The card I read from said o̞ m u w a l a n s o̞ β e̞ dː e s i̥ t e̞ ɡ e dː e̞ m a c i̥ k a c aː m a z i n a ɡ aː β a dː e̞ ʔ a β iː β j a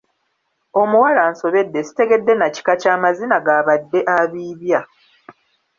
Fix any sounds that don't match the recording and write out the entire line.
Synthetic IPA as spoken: o̞ m u w a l a n s o̞ β e̞ dː e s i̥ t e̞ ɡ e dː e̞ n a c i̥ k a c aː m a z i n a ɡ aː β a dː e̞ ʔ a β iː β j a